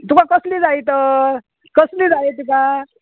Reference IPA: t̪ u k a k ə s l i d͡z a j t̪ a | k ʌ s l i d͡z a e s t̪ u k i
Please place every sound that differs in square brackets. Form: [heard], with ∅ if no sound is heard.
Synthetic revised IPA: t̪ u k a k [ʌ] s l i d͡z a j t̪ [ʌ] | k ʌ s l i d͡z a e [∅] t̪ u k [a]